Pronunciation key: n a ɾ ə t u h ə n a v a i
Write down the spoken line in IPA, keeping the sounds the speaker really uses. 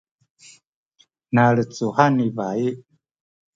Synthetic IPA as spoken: n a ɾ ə t͡s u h a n i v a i